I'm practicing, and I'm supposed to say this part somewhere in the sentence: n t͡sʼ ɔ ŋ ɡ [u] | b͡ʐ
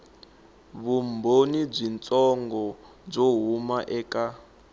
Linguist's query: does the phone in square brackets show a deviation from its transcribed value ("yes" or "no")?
yes